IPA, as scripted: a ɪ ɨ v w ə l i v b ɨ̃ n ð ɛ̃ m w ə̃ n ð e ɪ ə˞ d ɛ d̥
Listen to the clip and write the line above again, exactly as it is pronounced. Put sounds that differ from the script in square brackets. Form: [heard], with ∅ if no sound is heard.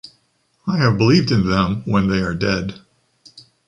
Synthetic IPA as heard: a ɪ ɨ v [b] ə l i v [d] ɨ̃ n ð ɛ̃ m w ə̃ n ð e ɪ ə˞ d ɛ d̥